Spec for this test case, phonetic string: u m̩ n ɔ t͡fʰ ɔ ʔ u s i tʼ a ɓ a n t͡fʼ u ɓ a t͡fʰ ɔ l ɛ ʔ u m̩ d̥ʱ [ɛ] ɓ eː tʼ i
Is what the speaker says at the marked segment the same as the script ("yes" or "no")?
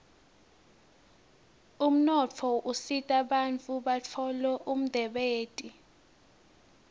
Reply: yes